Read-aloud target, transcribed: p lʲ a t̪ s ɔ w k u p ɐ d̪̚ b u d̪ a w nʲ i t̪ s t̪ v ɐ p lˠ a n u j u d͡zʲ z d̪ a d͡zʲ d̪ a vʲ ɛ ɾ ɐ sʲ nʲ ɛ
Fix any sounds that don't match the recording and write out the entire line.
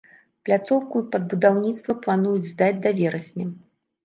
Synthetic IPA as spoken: p lʲ a t̪ s ɔ w k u p ɐ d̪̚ b u d̪ a w nʲ i t̪ s t̪ v ɐ p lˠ a n u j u d͡zʲ z d̪ a d͡zʲ d̪ a vʲ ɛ ɾ ɐ sʲ nʲ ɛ